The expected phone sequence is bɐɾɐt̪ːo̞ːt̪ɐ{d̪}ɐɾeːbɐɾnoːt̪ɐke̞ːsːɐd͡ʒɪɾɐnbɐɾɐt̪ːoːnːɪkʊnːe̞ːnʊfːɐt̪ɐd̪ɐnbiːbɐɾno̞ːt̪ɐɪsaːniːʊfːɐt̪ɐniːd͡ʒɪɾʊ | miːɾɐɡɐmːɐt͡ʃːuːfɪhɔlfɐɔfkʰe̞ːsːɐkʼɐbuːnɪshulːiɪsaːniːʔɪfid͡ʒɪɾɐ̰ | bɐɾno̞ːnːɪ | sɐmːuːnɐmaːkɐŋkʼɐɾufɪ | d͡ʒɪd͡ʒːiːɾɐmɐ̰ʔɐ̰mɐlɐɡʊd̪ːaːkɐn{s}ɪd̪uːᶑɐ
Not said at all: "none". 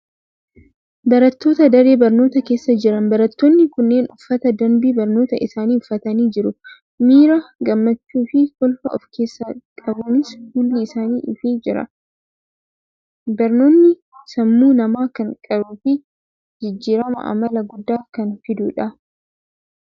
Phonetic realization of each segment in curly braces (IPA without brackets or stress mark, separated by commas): d̪, f